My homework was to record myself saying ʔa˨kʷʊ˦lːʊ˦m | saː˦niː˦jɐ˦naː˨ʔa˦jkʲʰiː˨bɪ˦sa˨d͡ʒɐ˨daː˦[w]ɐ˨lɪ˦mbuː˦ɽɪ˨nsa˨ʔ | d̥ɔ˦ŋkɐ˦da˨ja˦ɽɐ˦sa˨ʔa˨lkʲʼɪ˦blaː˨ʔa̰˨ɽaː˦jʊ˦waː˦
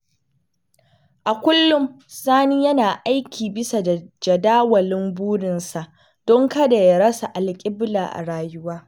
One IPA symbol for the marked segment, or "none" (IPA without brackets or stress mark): w